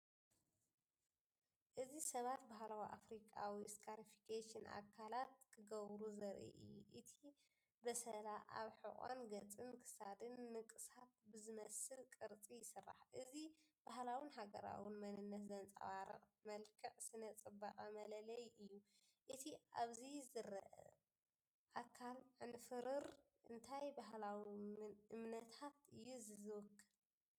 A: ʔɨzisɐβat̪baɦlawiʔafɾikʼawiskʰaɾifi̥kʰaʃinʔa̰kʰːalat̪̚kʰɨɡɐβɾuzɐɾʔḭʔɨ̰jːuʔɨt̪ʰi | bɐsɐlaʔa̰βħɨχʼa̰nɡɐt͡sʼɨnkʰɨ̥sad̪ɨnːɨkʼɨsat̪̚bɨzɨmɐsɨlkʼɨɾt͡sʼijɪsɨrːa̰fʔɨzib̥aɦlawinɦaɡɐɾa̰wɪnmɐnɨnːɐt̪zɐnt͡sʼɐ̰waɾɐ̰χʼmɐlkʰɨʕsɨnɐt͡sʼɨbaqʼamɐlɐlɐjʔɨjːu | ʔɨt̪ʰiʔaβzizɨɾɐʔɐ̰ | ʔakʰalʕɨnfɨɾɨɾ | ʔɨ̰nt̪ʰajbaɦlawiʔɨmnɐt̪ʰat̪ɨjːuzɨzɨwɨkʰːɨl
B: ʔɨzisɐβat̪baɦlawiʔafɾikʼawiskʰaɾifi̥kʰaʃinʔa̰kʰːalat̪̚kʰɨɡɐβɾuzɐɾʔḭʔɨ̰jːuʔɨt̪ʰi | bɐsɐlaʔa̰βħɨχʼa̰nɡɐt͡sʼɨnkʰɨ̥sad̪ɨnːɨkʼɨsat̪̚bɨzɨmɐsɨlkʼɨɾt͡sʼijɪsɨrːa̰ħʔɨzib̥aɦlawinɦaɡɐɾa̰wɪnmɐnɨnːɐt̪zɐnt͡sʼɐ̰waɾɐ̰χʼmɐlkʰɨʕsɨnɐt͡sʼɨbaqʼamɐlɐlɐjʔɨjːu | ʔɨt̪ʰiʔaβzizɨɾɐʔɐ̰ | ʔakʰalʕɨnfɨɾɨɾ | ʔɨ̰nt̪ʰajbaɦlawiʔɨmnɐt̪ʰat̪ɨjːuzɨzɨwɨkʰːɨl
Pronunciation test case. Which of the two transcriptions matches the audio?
B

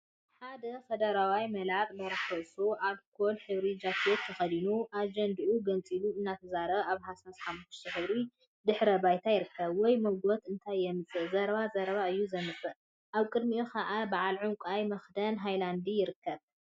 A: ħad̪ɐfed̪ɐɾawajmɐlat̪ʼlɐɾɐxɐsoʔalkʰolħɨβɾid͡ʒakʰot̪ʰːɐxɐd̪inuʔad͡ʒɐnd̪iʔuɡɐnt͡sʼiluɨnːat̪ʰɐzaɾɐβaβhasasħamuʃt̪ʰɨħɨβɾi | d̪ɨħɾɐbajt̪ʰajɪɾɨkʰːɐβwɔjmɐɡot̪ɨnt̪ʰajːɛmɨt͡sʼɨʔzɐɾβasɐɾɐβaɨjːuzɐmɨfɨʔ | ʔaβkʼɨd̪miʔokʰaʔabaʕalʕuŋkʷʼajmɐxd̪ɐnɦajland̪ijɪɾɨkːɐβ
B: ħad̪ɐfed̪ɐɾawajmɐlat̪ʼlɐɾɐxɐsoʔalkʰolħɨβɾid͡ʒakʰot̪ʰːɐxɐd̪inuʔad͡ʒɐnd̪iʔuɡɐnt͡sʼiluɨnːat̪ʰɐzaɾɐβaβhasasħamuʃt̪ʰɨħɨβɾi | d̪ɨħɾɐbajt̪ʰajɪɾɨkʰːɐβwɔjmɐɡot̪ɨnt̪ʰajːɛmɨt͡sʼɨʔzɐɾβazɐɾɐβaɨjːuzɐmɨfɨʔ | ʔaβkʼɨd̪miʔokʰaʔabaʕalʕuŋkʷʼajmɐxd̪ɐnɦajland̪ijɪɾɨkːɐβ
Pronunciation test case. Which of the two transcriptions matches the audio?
B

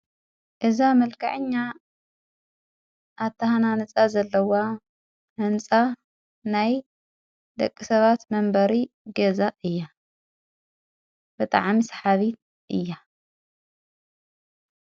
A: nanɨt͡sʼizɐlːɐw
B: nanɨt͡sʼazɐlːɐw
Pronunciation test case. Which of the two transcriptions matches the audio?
B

